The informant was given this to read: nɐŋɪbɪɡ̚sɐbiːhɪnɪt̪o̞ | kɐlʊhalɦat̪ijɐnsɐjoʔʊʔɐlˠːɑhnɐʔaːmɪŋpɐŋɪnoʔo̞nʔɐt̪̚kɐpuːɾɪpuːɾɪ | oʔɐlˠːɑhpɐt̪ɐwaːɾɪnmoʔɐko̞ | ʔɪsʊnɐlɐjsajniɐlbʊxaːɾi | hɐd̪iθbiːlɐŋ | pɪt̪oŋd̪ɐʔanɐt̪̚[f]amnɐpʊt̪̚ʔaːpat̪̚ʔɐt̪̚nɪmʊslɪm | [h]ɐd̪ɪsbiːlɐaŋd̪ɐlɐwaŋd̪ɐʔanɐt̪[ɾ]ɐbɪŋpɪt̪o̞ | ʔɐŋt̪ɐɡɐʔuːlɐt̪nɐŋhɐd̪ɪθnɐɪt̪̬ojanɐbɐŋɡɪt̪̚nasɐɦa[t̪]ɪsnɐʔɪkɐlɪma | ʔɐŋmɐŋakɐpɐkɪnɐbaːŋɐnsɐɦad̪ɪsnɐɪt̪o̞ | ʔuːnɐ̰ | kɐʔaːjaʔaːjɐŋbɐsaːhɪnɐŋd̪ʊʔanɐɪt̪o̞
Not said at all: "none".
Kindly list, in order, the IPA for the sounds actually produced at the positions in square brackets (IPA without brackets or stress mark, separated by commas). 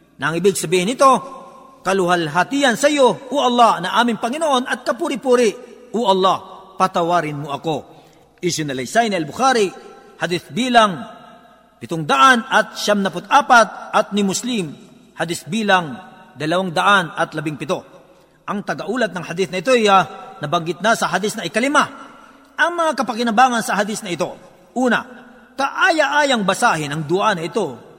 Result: ʃ, h, l, d̪